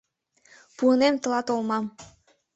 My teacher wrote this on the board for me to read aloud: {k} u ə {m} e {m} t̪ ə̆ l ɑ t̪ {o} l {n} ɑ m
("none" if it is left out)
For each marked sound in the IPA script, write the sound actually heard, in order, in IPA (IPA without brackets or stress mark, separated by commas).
p, n, m, o, m